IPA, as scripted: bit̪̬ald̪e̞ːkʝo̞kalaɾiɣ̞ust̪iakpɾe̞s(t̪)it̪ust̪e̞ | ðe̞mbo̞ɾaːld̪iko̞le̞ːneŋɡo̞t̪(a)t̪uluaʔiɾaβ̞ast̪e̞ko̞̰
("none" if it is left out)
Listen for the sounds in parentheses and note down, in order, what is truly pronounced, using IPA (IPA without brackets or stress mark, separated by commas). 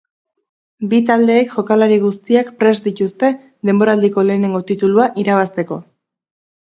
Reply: d̪, i